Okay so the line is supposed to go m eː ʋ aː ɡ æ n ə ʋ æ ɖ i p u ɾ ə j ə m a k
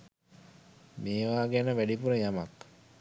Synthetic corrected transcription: m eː ʋ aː ɡ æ n ə ʋ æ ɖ i p u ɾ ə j a m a k